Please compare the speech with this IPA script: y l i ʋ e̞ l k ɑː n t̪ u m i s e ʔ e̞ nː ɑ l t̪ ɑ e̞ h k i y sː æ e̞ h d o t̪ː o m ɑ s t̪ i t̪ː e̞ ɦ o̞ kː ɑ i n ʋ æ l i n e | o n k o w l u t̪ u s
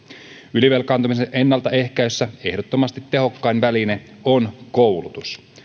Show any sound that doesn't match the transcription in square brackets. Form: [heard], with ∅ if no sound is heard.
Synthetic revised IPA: y l i ʋ e̞ l k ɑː n t̪ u m i s e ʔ e̞ nː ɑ l t̪ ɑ e̞ h k [æ] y sː æ e̞ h d o t̪ː o m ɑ s t̪ i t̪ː e̞ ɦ o̞ kː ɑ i n ʋ æ l i n e | o n k o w l u t̪ u s